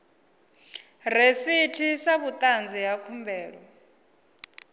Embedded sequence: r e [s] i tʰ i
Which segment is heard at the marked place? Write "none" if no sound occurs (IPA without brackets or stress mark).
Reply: s